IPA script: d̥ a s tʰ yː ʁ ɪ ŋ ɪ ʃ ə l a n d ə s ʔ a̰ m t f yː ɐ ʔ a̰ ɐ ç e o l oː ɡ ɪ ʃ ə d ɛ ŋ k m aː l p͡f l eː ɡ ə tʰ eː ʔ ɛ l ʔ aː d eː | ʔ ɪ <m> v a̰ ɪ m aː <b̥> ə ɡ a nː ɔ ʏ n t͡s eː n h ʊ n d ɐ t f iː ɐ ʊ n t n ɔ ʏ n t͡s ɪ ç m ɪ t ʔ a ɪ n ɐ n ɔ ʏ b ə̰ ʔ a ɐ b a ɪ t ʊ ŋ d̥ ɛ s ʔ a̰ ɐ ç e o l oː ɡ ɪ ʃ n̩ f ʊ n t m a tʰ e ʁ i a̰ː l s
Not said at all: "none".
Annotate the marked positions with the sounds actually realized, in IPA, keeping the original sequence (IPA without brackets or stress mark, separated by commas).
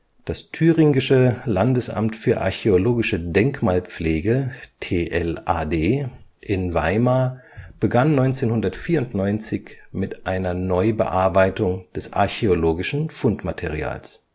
n, b̥